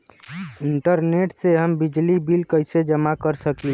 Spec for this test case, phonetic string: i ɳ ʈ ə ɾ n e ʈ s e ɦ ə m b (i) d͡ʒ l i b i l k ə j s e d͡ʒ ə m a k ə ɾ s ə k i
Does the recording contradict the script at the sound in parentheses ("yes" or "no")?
no